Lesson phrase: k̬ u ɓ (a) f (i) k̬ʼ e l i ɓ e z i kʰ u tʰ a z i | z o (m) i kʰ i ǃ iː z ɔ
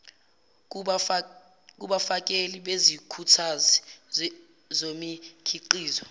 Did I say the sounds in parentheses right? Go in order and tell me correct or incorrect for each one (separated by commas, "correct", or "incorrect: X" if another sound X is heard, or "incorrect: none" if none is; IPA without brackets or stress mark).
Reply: correct, incorrect: a, correct